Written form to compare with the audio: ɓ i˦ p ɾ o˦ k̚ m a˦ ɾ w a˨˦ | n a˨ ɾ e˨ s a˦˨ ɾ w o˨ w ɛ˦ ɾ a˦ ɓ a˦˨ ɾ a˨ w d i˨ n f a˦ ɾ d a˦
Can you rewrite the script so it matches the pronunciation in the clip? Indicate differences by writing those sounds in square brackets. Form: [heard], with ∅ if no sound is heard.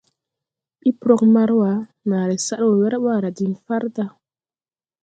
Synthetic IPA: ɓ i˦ p ɾ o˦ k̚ m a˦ ɾ w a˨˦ | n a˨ ɾ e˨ s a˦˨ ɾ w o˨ w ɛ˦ ɾ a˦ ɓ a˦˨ ɾ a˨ [∅] d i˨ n f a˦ ɾ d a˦